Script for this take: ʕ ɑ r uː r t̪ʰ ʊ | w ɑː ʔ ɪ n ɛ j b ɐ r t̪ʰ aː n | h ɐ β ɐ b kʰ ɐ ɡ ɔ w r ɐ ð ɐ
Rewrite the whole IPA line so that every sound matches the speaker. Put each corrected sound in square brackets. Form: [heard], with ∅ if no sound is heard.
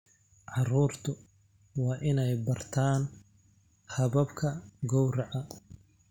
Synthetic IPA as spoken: ʕ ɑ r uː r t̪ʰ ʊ | w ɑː ʔ ɪ n ɛ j b ɐ r t̪ʰ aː n | h ɐ β ɐ b kʰ ɐ ɡ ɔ w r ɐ [ʕ] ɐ

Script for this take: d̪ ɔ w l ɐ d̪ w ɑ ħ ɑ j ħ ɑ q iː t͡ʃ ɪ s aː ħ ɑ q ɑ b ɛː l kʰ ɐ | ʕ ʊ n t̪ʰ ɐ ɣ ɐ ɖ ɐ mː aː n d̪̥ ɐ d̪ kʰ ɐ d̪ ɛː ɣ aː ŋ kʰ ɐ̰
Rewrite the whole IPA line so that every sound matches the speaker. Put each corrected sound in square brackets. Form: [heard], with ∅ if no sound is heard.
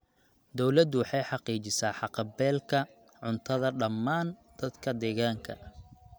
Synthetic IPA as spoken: d̪ ɔ w l ɐ d̪ w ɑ ħ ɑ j ħ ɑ q iː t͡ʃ ɪ s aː ħ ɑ q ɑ b ɛː l kʰ ɐ | ʕ ʊ n t̪ʰ ɐ [ð] ɐ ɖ ɐ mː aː n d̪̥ ɐ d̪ kʰ ɐ d̪ ɛː ɣ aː ŋ kʰ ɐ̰

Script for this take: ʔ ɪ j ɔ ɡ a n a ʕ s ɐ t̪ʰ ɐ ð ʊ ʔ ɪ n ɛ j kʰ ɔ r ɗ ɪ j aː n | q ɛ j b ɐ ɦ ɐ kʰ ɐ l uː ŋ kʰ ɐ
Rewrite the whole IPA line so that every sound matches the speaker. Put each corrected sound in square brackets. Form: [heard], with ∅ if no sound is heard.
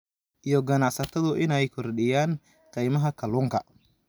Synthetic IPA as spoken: ʔ [i] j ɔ ɡ [ɐ] n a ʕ s ɐ t̪ʰ ɐ ð ʊ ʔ ɪ n ɛ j kʰ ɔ r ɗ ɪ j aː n | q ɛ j [m] ɐ ɦ ɐ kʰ ɐ l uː ŋ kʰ ɐ

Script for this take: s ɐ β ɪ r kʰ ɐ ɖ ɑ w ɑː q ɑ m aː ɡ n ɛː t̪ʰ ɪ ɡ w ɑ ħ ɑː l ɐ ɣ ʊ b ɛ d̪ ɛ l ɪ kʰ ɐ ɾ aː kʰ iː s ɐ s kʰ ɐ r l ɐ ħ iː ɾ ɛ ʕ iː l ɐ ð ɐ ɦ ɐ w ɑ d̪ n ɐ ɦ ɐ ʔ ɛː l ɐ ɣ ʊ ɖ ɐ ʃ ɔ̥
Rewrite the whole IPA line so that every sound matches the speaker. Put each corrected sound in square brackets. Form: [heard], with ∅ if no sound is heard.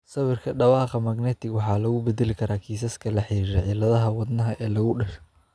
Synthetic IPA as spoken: s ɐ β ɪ r kʰ ɐ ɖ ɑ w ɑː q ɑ m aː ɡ n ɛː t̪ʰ ɪ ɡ w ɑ ħ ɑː l ɐ ɣ ʊ b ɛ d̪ ɛ l ɪ kʰ ɐ ɾ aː kʰ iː s ɐ s kʰ ɐ [∅] l ɐ ħ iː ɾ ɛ ʕ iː l ɐ ð ɐ ɦ ɐ w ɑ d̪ n ɐ ɦ ɐ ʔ ɛː l ɐ ɣ ʊ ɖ ɐ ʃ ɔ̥

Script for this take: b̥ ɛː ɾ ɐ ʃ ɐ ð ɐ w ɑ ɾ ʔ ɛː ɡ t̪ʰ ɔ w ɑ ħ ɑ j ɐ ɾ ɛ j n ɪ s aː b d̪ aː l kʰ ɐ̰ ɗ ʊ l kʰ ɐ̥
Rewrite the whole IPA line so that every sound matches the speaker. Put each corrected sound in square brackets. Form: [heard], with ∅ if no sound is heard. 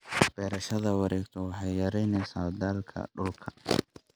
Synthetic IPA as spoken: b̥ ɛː ɾ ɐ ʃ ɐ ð ɐ w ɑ ɾ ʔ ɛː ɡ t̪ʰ ɔ w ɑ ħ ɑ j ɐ ɾ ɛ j n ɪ s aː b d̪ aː l kʰ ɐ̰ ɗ ʊ l kʰ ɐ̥

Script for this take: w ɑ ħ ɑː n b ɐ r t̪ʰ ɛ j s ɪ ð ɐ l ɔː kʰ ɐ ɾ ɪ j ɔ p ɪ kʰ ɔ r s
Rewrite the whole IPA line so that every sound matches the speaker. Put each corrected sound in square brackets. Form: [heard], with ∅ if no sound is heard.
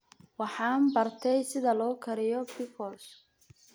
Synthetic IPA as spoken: w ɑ ħ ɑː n b ɐ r t̪ʰ ɛ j s ɪ ð ɐ l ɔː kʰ ɐ ɾ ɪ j ɔ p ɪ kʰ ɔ [l] s

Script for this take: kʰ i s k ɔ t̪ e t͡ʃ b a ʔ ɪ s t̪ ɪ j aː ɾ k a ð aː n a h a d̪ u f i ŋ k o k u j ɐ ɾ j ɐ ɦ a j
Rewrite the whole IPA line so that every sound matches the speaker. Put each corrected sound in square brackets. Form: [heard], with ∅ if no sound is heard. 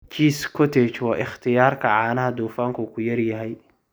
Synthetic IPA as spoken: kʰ i s k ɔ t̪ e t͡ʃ [w] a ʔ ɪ [x] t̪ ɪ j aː ɾ k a [ʕ] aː n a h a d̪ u f [a] ŋ k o k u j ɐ ɾ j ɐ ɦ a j

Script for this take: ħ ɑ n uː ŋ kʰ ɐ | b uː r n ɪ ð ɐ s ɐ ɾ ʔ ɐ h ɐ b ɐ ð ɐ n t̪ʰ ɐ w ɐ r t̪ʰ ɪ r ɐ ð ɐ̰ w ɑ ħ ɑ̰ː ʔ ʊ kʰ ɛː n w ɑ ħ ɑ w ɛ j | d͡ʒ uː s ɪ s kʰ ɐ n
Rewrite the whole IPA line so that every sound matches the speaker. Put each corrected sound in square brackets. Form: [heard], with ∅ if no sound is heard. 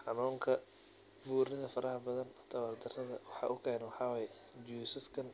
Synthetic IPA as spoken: ħ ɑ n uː ŋ kʰ ɐ | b uː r n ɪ ð ɐ [f] ɐ ɾ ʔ ɐ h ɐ b ɐ ð ɐ n t̪ʰ ɐ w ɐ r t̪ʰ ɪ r ɐ ð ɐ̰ w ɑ ħ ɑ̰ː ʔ ʊ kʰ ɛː n w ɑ ħ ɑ w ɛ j | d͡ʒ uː s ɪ s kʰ ɐ n

